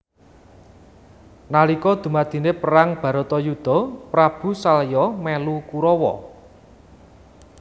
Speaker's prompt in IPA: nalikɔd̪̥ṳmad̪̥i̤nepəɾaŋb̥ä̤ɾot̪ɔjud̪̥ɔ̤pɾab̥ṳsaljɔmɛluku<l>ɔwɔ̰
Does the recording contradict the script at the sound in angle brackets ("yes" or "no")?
yes